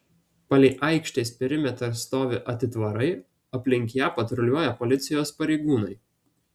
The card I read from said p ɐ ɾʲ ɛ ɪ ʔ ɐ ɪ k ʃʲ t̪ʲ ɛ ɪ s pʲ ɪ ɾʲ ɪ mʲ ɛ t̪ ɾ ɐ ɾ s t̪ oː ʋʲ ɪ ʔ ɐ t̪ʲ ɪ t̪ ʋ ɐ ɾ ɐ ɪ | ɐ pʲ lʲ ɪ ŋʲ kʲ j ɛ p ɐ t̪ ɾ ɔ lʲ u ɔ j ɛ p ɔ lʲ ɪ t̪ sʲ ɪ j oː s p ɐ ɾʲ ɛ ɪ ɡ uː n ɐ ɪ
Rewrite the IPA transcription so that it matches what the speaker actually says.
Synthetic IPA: p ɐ lʲ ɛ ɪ ʔ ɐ ɪ k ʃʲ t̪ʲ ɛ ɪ s pʲ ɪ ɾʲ ɪ mʲ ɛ t̪ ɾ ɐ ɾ s t̪ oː ʋʲ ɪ ʔ ɐ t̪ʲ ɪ t̪ ʋ ɐ ɾ ɐ ɪ | ɐ pʲ lʲ ɪ ŋʲ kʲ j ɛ p ɐ t̪ ɾ ɔ lʲ u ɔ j ɛ p ɔ lʲ ɪ t̪ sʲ ɪ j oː s p ɐ ɾʲ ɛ ɪ ɡ uː n ɐ ɪ